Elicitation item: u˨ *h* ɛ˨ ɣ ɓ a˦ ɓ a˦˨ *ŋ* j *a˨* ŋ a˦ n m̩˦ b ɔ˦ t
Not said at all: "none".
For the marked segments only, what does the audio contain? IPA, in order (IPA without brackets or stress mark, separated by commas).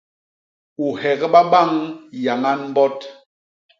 h, ŋ, a˨